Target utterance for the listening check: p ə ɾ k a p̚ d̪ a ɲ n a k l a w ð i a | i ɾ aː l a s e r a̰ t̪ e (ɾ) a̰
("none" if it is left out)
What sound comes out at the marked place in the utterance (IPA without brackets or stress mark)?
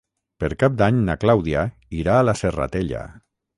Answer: ʎ